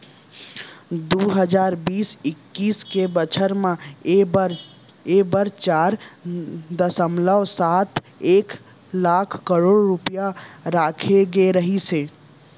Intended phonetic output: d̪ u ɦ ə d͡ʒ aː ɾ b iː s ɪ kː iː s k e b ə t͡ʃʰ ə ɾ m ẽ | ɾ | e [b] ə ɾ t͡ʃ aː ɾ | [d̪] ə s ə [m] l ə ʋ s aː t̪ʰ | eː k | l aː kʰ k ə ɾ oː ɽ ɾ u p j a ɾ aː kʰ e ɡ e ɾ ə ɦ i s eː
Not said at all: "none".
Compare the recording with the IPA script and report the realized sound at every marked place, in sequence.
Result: b, d̪, m

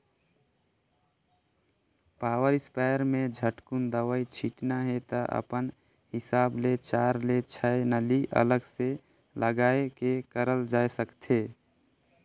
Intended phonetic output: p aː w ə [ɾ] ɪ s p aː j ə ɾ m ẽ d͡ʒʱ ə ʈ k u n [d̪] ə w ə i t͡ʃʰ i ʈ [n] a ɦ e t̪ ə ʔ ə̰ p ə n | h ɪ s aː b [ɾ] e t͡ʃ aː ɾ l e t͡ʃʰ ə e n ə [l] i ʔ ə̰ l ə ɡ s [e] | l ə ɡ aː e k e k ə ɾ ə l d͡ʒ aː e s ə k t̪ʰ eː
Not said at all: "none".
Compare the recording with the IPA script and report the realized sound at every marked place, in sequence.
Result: ɾ, d̪, n, l, l, e

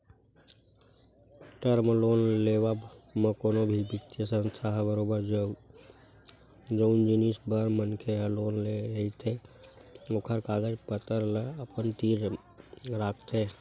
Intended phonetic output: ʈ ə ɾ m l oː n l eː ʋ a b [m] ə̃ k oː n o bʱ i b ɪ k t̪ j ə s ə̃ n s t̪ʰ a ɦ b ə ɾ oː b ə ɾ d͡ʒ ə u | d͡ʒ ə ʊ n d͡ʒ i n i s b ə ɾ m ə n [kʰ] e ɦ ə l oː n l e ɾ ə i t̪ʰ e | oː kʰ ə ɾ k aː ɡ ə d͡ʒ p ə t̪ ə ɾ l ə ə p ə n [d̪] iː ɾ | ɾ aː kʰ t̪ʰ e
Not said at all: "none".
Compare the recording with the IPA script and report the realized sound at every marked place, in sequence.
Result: m, kʰ, t̪

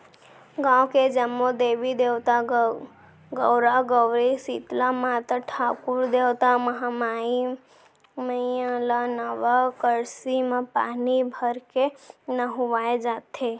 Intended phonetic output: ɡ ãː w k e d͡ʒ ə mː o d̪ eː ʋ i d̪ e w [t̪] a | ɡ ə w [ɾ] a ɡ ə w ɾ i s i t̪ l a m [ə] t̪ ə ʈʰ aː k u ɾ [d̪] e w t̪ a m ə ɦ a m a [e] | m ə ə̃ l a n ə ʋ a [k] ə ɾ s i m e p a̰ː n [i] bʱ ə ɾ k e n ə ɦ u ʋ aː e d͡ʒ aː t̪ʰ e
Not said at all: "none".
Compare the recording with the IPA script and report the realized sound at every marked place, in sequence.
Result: t̪, ɾ, a, d̪, i, k, i

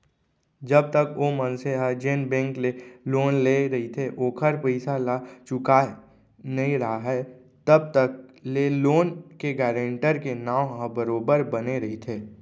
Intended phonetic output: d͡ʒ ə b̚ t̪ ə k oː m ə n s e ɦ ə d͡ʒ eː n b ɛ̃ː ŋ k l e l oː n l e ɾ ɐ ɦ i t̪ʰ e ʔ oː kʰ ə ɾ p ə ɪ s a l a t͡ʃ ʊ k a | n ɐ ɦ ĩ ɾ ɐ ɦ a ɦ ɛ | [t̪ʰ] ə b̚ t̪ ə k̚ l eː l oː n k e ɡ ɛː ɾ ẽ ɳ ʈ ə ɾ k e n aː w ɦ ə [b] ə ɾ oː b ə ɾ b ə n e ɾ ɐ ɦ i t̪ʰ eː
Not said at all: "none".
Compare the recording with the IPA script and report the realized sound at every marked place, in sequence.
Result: t̪, b

